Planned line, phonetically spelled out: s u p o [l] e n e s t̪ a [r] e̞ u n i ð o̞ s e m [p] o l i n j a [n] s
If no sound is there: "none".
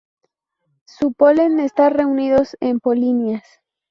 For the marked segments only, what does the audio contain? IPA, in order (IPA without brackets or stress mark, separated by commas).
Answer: l, r, p, none